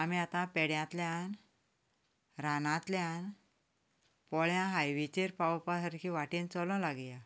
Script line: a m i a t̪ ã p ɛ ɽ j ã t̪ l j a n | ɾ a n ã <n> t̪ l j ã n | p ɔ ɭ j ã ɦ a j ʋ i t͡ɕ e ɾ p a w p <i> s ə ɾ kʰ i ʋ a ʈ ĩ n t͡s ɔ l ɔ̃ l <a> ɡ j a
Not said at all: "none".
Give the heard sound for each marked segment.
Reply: none, a, a

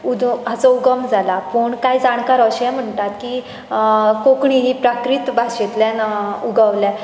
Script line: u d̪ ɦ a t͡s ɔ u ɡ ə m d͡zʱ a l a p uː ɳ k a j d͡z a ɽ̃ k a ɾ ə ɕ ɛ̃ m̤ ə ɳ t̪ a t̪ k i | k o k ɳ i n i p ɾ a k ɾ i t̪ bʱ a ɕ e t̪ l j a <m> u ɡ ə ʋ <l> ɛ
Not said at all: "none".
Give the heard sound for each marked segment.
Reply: n, l

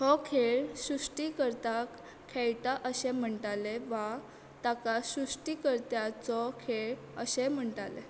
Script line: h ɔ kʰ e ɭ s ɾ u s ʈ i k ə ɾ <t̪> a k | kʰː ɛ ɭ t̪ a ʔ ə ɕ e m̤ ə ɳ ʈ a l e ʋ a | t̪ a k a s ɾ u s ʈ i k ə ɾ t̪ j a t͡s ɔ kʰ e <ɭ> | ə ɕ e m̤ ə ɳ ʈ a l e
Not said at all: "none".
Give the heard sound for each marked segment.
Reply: t̪, ɭ

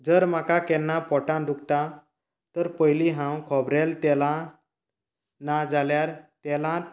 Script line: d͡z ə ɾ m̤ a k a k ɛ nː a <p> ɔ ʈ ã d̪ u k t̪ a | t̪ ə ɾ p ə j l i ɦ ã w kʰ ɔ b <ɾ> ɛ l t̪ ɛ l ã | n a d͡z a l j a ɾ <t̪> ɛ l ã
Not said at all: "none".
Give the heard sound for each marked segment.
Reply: p, ɾ, t̪

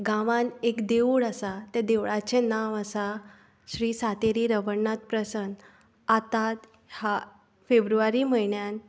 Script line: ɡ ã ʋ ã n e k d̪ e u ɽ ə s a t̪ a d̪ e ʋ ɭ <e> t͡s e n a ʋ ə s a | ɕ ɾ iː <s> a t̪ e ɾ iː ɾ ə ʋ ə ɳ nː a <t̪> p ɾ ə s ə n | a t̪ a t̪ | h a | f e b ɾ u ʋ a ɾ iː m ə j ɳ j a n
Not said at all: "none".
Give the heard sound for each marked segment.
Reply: a, s, t̪

